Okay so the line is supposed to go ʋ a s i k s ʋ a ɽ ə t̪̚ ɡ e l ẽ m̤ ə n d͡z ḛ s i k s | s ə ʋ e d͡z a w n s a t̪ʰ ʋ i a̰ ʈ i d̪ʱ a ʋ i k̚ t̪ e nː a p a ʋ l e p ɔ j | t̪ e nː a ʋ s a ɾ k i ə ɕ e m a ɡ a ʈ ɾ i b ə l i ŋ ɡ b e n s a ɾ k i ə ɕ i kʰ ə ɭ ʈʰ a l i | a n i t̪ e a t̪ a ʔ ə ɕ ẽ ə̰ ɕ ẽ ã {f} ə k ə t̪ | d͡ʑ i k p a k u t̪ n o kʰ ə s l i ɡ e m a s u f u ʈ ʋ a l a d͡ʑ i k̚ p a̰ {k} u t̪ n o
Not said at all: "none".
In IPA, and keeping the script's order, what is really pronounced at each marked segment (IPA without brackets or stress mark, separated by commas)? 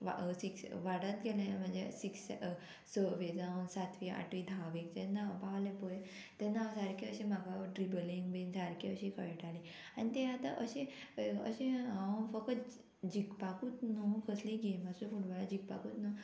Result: f, k